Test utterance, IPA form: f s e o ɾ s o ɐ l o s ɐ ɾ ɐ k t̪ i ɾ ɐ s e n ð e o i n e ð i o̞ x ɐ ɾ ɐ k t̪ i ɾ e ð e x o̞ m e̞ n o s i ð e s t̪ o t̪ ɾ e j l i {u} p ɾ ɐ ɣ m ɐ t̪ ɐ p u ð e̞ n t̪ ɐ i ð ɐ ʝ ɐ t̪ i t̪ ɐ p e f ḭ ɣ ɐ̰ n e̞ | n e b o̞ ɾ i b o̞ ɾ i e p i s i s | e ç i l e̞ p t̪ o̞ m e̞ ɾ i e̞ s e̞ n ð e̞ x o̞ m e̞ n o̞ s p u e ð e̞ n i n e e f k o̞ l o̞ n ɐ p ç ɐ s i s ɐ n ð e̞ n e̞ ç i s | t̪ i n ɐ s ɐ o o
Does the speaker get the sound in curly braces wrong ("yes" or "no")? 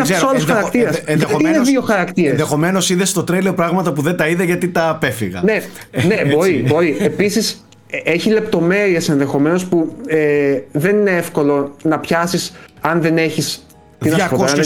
yes